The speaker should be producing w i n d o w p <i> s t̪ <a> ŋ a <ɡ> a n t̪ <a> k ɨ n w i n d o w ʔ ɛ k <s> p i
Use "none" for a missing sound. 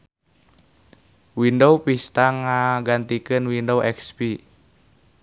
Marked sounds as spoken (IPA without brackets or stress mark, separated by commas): i, a, ɡ, i, s